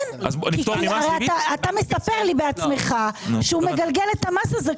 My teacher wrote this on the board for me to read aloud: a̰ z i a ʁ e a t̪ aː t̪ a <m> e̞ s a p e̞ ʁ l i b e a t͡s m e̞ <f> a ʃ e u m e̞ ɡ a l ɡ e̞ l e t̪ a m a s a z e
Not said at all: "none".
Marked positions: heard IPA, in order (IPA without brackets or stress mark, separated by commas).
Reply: m, χ